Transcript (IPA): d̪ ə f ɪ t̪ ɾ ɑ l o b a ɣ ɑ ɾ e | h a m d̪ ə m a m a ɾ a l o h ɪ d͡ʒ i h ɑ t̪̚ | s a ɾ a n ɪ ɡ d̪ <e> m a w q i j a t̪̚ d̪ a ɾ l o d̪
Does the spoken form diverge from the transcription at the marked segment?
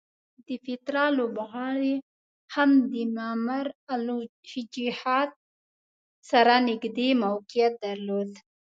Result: no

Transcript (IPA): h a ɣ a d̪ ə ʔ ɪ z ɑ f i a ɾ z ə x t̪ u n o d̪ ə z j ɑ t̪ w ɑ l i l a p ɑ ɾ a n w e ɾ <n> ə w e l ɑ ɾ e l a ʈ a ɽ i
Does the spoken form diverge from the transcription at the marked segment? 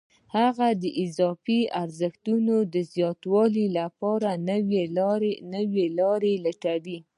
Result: no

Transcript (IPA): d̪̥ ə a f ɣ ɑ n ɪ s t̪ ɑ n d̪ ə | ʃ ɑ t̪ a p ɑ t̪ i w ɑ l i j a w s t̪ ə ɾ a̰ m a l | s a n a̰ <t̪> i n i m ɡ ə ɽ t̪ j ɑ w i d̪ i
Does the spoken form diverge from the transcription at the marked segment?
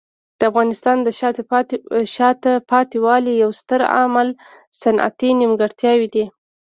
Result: no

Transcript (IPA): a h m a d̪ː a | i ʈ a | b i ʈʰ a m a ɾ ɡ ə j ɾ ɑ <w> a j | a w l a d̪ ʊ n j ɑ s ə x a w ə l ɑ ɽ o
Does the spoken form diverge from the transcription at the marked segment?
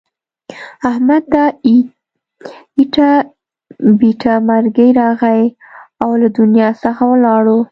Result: yes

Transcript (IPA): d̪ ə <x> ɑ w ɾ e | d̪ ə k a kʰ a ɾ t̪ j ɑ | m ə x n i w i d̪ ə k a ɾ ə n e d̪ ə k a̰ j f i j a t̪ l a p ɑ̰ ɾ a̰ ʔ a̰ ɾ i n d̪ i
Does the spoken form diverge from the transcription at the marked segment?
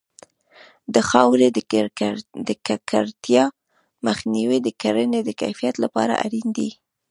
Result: no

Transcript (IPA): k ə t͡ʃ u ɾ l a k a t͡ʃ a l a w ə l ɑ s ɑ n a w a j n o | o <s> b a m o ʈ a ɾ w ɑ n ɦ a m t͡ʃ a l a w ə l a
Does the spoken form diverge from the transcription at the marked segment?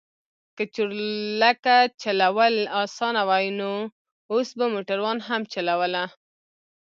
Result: no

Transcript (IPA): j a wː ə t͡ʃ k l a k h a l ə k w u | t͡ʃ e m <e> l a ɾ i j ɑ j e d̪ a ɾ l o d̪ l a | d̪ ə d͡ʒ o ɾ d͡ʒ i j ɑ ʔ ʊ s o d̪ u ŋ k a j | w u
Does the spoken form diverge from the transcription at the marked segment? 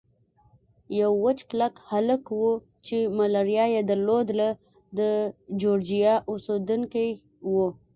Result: yes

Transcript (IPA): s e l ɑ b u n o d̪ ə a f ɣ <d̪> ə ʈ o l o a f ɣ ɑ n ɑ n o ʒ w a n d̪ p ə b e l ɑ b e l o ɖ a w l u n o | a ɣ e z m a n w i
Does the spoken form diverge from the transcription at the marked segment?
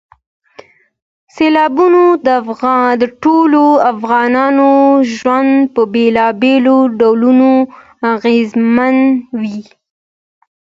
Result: no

